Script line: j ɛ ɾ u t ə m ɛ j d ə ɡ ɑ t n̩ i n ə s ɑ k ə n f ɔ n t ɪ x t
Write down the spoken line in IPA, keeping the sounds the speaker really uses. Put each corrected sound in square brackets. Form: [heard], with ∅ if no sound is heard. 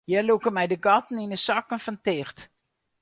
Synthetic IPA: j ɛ [l] u [k] ə m ɛ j d ə ɡ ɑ t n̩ i n ə s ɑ k ə n f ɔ n t ɪ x t